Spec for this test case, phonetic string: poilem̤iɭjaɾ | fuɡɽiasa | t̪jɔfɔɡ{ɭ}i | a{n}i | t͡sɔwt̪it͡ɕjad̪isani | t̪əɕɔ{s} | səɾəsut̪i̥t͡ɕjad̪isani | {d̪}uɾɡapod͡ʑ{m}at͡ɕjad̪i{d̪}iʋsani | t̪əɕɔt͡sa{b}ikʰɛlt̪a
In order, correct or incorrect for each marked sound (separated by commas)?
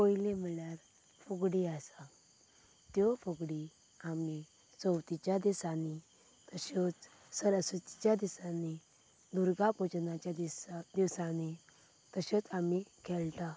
incorrect, incorrect, incorrect, correct, incorrect, correct, incorrect